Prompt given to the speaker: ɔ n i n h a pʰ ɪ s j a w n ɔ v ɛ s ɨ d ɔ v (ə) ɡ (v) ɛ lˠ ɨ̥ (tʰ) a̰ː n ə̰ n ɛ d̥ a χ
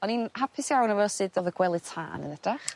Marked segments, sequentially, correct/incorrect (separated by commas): correct, incorrect, correct